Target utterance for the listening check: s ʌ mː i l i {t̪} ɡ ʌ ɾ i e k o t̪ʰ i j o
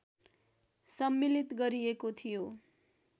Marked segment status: correct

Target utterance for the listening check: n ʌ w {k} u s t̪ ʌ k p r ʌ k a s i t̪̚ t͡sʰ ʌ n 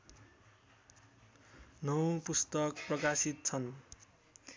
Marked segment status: incorrect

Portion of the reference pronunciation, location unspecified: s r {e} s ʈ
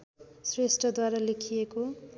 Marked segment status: correct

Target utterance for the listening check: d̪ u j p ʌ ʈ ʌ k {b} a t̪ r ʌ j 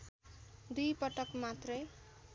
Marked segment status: incorrect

